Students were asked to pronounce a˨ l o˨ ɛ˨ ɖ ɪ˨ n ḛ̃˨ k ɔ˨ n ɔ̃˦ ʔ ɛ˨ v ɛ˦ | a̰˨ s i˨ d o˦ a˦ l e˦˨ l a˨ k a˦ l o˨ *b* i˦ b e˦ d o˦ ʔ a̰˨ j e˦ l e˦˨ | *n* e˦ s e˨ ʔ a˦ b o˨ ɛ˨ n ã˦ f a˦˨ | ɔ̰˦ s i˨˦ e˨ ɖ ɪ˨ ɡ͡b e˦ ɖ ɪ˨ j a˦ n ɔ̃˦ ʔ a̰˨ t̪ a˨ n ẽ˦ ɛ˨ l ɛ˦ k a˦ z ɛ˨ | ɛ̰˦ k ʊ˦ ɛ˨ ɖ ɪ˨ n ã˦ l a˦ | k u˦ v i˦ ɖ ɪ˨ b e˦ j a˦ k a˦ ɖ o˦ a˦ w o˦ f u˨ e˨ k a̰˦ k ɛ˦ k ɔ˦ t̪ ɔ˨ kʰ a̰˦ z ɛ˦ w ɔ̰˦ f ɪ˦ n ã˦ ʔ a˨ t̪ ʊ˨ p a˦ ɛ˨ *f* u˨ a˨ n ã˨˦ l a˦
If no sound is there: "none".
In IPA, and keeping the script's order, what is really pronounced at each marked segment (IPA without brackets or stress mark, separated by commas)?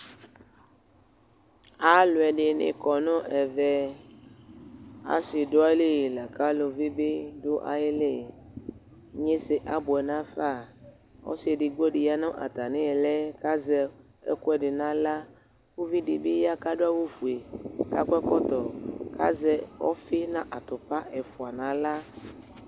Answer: v, ɲ, f